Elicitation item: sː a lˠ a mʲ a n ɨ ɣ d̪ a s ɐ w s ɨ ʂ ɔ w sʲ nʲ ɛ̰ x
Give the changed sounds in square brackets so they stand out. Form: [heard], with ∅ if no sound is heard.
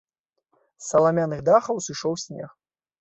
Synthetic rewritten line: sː [ɐ] lˠ a mʲ a n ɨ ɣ d̪ a [x] ɐ w s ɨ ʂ ɔ w sʲ nʲ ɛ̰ x